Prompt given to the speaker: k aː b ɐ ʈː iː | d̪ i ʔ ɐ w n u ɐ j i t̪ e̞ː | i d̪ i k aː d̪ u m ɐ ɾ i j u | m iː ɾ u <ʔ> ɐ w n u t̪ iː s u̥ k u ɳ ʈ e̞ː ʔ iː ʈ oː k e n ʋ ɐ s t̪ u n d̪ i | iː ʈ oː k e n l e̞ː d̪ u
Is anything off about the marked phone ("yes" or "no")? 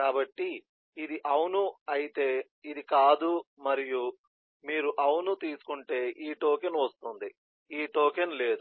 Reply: no